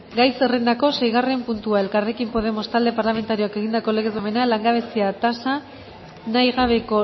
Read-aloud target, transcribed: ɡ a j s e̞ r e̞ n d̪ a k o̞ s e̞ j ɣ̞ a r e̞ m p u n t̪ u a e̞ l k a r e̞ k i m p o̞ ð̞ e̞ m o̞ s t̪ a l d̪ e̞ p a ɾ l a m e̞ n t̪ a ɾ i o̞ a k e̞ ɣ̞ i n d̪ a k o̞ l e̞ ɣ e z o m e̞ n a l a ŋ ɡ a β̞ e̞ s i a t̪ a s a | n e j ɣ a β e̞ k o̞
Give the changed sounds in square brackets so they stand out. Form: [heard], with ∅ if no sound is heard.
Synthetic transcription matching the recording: ɡ a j s e̞ r e̞ n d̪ a k o̞ s e̞ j ɣ̞ a r e̞ m p u n t̪ u a e̞ l k a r e̞ k i m p o̞ ð̞ e̞ m o̞ s t̪ a l d̪ e̞ p a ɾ l a m e̞ n t̪ a ɾ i o̞ a k e̞ ɣ̞ i n d̪ a k o̞ l e̞ ɣ e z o m e̞ n a l a ŋ ɡ a β̞ e̞ s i a t̪ a s a | n [a] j ɣ a β e̞ k o̞